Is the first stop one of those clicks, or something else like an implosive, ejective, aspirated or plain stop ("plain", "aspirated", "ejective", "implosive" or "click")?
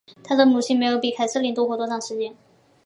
aspirated